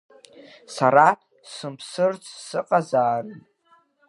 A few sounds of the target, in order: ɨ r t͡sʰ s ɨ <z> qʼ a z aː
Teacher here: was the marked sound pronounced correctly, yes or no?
no